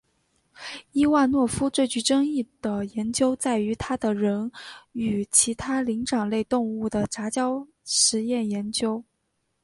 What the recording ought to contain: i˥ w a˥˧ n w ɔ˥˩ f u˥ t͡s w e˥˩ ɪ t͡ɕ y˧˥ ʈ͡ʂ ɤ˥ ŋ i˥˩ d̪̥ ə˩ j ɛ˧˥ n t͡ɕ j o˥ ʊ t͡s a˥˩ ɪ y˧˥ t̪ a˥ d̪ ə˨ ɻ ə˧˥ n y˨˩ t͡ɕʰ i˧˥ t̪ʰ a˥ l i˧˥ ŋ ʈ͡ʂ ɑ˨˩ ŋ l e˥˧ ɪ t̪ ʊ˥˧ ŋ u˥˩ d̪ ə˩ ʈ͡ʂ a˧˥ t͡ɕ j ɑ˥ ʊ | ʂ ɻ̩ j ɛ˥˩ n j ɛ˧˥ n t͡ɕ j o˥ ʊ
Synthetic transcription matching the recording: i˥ w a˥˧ n w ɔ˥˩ f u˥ t͡s w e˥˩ ɪ t͡ɕ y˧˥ ʈ͡ʂ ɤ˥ ŋ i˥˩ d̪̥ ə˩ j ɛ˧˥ n t͡ɕ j o˥ ʊ t͡s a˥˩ ɪ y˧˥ t̪ʰ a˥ d̪ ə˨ ɻ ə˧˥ n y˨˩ t͡ɕʰ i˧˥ t̪ʰ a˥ l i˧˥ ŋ ʈ͡ʂ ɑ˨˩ ŋ l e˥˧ ɪ t̪ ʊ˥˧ ŋ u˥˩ d̪ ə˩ ʈ͡ʂ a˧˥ t͡ɕ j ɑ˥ ʊ | ʂ ɻ̩ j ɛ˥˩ n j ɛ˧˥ n t͡ɕ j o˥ ʊ